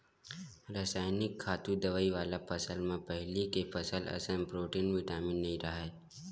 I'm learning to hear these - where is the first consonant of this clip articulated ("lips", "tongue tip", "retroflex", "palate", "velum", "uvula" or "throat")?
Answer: tongue tip